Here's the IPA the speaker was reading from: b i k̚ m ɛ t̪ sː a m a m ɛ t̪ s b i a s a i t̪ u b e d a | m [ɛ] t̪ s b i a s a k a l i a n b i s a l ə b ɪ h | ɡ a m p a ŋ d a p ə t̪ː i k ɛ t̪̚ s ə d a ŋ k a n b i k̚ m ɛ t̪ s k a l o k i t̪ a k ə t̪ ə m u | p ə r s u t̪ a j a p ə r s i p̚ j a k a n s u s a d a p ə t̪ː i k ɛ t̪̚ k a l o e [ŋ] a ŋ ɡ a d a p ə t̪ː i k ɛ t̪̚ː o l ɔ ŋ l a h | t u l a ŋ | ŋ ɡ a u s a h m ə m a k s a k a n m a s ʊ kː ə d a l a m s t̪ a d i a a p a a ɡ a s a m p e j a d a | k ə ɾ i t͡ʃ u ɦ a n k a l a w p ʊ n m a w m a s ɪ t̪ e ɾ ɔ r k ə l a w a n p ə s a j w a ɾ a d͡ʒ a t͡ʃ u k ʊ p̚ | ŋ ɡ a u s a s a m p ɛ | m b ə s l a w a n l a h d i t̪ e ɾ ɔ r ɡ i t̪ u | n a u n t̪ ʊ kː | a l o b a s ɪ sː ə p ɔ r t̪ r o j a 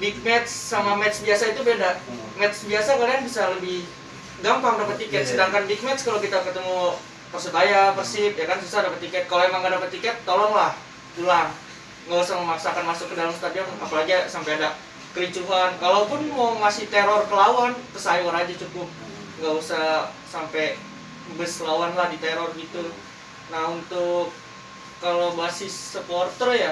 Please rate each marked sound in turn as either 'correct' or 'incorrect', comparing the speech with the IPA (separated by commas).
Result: correct, incorrect